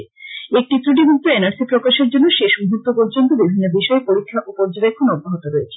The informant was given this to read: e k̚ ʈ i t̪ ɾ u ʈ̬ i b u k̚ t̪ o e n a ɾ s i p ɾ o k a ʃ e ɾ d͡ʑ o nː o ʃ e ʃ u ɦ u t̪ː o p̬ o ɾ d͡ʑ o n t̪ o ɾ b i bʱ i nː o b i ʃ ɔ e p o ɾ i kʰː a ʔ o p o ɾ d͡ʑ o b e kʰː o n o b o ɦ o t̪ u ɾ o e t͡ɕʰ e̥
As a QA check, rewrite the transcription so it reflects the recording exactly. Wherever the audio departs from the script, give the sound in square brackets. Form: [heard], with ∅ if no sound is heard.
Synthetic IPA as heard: e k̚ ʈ i t̪ ɾ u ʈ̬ i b u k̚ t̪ o e n a ɾ s i p ɾ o k a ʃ e ɾ d͡ʑ o nː o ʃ e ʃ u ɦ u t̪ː o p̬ o ɾ d͡ʑ o n t̪ o [∅] b i bʱ i nː o b i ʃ ɔ e p o ɾ i kʰː a ʔ o p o ɾ d͡ʑ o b e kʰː o n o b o ɦ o t̪ [o] ɾ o e t͡ɕʰ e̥